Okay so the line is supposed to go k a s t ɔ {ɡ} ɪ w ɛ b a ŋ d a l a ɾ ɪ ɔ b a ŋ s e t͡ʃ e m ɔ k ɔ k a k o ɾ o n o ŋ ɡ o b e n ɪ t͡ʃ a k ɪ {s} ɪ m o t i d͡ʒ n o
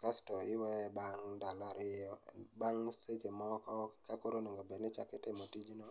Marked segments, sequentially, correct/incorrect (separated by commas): incorrect, incorrect